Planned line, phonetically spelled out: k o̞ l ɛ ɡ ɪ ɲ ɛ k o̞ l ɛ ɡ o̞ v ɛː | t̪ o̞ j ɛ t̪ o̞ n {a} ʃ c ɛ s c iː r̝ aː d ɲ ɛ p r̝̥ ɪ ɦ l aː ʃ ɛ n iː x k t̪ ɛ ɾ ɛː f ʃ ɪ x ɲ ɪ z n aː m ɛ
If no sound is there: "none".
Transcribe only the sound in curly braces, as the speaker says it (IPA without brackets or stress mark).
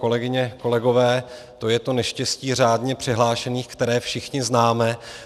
ɛ